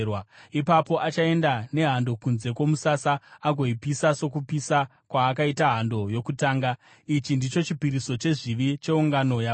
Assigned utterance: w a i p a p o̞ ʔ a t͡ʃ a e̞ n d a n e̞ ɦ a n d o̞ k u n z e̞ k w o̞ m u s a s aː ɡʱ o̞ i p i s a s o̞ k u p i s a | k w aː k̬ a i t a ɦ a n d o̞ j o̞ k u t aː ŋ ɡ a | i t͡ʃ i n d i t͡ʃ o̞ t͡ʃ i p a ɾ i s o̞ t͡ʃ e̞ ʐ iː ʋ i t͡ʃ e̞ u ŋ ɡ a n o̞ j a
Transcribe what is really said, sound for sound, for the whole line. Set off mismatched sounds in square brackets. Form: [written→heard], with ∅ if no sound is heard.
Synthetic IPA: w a i p a p o̞ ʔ a t͡ʃ a e̞ n d a n e̞ ɦ a n d o̞ k u n z e̞ k w o̞ m u s a s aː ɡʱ o̞ i p i s a s o̞ k u p i s a | k w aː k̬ a i t a ɦ a n d o̞ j o̞ k u t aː ŋ ɡ a | i t͡ʃ i n d i t͡ʃ o̞ t͡ʃ i p [a→i] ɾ i s o̞ t͡ʃ e̞ ʐ [iː→i] ʋ i t͡ʃ e̞ u ŋ ɡ a n o̞ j a

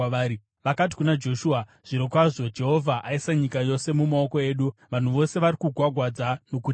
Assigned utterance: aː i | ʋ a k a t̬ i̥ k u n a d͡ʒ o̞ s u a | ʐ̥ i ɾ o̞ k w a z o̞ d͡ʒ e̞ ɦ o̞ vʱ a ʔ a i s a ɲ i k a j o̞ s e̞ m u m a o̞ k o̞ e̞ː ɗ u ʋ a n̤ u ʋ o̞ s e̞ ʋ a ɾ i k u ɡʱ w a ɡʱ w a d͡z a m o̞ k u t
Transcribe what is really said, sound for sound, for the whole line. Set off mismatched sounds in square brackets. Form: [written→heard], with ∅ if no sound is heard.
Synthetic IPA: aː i | ʋ a k a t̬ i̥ k u n a d͡ʒ o̞ [s→ʃ] u a | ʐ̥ i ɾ o̞ k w a [z→ʐ] o̞ d͡ʒ e̞ ɦ o̞ vʱ a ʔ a i s a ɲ i k a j o̞ s e̞ m u m a o̞ k o̞ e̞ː ɗ u ʋ a n̤ u ʋ o̞ s e̞ ʋ a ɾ i k u ɡʱ w a ɡʱ w a d͡z a [m→n] o̞ k u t

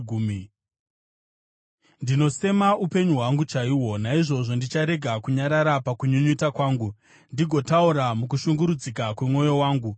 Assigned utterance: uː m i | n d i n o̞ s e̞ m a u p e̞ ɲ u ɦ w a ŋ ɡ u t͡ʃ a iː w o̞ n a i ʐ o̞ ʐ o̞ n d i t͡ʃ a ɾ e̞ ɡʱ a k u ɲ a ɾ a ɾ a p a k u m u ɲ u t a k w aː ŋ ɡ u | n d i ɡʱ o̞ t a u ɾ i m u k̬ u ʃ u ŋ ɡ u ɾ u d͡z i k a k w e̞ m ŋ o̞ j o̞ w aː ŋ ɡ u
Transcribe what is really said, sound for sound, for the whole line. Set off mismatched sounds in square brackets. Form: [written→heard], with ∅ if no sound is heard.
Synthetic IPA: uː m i | n d i n o̞ s e̞ m a u p e̞ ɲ u ɦ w a ŋ ɡ u t͡ʃ a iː w o̞ n a i ʐ o̞ ʐ o̞ n d i t͡ʃ a ɾ e̞ ɡʱ a k u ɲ a ɾ a ɾ a p a k u [m→ɲ] u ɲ u t a k w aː ŋ ɡ u | n d i ɡʱ o̞ t a u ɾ [i→a] m u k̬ u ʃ u ŋ ɡ u ɾ u d͡z i k a k w e̞ m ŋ o̞ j o̞ w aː ŋ ɡ u

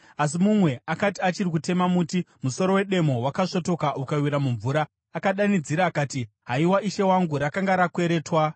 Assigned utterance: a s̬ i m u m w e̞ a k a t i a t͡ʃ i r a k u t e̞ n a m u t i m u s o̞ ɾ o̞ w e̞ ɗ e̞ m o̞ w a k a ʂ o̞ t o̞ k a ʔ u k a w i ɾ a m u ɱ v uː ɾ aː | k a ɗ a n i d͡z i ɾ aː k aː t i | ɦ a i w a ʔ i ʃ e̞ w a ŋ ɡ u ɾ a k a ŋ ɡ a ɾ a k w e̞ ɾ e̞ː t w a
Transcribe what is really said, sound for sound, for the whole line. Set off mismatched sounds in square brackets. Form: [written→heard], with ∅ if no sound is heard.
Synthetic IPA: a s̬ i m u m w e̞ a k a t i a t͡ʃ i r [a→i] k u t e̞ [n→m] a m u t i m u s o̞ ɾ o̞ w e̞ ɗ e̞ m o̞ w a k a ʂ o̞ t o̞ k a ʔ u k a w i ɾ a m u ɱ v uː ɾ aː | k a ɗ a n i d͡z i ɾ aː k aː t i | ɦ a i w a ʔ i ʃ e̞ w a ŋ ɡ u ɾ a k a ŋ ɡ a ɾ a k w e̞ ɾ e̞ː t w a

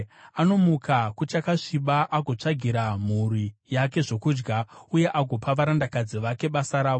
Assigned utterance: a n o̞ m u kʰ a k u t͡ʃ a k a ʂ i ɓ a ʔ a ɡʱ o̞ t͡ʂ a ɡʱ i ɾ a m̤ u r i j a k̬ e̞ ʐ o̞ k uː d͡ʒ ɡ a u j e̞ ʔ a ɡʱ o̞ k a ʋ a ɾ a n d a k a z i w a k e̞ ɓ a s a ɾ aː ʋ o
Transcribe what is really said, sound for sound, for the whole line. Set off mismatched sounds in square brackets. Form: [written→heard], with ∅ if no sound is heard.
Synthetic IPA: a n o̞ m u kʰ a k u t͡ʃ a k a ʂ i ɓ a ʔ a ɡʱ o̞ t͡ʂ a ɡʱ i ɾ a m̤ u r i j a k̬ e̞ ʐ o̞ k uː d͡ʒ ɡ a u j e̞ ʔ a ɡʱ o̞ [k→p] a ʋ a ɾ a n d a k a [z→d͡z] i [w→ʋ] a k e̞ ɓ a s a ɾ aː ʋ o

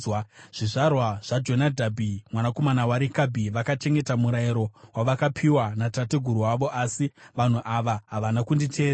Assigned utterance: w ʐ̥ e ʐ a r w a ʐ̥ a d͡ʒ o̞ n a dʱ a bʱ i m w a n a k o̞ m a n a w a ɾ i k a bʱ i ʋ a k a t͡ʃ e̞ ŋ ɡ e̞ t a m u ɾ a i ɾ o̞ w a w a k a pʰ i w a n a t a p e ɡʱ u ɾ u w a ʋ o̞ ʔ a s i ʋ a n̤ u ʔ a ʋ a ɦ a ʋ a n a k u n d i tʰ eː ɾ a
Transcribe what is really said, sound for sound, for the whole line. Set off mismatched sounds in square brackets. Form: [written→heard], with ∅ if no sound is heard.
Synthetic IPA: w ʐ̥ [e→i] ʐ a r w a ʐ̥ a d͡ʒ o̞ n a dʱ a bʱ i m w a n a k o̞ m a n a w a ɾ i k a bʱ i ʋ a k a t͡ʃ e̞ ŋ ɡ e̞ t a m u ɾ a i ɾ o̞ w a [w→ʋ] a k a pʰ i w a n a t a [p→t] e ɡʱ u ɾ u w a ʋ o̞ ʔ a s i ʋ a n̤ u ʔ a ʋ a ɦ a ʋ a n a k u n d i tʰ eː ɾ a

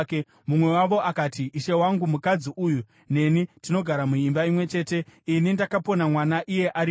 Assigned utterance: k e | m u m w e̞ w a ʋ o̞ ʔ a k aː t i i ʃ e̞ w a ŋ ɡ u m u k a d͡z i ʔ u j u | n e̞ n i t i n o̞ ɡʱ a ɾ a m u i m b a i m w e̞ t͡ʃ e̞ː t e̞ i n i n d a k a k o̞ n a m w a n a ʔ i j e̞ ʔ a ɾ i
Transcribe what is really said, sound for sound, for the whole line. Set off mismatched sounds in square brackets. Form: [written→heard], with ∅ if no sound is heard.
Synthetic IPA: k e | m u m w e̞ w a ʋ o̞ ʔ a k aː t i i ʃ e̞ w a ŋ ɡ u m u k a d͡z i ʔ u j u | n e̞ n i t i n o̞ ɡʱ a ɾ a m u i m b a i m w e̞ t͡ʃ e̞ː t e̞ i n i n d a k a [k→p] o̞ n a m w a n a ʔ i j e̞ ʔ a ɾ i

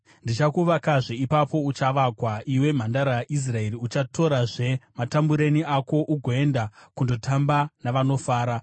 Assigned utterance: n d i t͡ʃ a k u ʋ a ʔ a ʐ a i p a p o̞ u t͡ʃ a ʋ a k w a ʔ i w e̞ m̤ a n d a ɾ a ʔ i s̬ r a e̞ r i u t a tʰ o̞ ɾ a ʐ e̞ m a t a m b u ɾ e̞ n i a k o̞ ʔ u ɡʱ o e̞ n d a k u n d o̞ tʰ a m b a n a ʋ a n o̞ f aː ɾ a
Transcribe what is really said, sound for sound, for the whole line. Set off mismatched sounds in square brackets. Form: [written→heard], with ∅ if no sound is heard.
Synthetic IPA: n d i t͡ʃ a k u ʋ a [ʔ→k] a ʐ [a→e] i p a p o̞ u t͡ʃ a ʋ a k w a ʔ i w e̞ m̤ a n d a ɾ a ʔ i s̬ r a e̞ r i u [t→t͡ʃ] a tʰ o̞ ɾ a ʐ e̞ m a t a m b u ɾ e̞ n i a k o̞ ʔ u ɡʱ o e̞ n d a k u n d o̞ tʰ a m b a n a ʋ a n o̞ f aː ɾ a

